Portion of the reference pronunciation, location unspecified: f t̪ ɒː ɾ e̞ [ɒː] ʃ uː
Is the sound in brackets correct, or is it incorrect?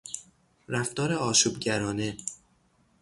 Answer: correct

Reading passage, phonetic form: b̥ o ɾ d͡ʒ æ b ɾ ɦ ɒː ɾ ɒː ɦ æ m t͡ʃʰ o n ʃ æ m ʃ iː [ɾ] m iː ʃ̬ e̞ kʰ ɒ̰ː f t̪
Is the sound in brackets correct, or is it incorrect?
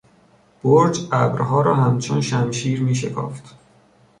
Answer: correct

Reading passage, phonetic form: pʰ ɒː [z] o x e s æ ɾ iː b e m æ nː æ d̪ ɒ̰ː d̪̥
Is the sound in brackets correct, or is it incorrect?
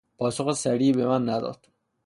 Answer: incorrect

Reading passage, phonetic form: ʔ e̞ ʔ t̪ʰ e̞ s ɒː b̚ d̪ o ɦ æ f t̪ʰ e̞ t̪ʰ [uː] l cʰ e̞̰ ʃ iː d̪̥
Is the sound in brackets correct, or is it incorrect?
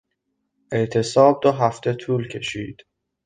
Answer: correct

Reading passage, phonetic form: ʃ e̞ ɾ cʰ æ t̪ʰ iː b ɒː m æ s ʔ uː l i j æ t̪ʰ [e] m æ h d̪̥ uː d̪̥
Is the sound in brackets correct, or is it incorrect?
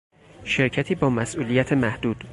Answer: correct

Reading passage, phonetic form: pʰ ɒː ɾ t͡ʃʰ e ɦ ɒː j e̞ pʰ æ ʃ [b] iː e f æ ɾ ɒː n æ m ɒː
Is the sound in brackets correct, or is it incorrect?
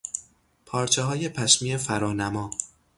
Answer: incorrect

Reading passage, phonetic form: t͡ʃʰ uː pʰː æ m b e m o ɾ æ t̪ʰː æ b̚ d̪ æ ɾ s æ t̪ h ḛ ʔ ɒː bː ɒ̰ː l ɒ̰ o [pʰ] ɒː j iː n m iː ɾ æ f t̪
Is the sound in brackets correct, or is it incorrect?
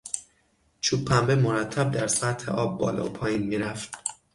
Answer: correct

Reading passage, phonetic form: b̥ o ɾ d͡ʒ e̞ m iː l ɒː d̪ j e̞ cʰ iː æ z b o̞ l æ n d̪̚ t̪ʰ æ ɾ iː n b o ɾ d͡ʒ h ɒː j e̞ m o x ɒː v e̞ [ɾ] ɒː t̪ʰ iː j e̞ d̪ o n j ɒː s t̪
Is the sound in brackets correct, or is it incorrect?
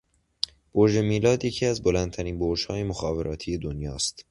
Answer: correct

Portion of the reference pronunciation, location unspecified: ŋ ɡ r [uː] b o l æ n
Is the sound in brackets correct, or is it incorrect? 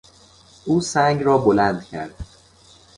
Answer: incorrect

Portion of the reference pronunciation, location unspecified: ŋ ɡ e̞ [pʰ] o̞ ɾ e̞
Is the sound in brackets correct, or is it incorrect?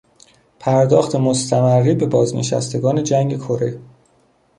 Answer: incorrect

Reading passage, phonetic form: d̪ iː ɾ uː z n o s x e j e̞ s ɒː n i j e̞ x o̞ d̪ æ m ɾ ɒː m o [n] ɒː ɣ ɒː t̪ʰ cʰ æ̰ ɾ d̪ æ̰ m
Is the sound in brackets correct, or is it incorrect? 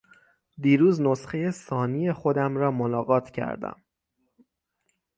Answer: correct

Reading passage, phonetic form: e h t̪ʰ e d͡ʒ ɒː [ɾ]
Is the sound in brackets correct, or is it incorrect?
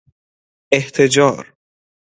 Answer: correct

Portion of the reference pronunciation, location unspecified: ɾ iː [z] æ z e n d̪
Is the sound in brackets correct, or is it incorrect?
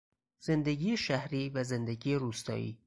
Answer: incorrect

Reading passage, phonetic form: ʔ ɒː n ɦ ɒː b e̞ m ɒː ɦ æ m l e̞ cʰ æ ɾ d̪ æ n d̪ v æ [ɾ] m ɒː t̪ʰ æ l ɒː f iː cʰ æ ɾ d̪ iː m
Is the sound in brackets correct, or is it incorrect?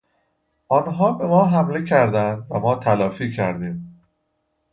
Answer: incorrect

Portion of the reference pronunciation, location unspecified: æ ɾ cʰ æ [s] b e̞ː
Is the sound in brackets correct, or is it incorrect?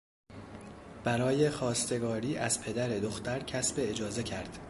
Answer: correct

